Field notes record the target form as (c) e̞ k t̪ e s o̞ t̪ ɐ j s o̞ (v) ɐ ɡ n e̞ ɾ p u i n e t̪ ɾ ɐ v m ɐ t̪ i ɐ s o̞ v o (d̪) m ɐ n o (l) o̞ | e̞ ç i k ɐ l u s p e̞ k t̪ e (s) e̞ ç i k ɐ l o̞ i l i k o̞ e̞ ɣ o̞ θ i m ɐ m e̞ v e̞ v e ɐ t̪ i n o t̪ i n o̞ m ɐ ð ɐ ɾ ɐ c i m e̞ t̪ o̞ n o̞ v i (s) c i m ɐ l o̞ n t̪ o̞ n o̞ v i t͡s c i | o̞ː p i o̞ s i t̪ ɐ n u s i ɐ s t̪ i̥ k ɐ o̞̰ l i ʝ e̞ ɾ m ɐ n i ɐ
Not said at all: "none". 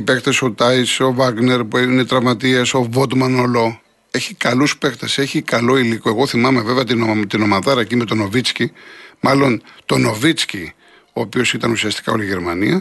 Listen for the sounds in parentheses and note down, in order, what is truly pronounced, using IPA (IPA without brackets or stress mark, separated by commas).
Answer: p, v, t̪, l, s, t͡s